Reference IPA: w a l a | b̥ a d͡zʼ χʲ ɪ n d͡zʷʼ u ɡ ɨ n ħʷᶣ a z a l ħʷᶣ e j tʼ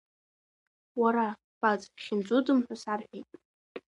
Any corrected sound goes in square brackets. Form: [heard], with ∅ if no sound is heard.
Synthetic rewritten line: w a [ɾ] a | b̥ a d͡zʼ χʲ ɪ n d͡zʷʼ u [d] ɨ [m] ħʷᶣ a [s] a [r] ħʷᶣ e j tʼ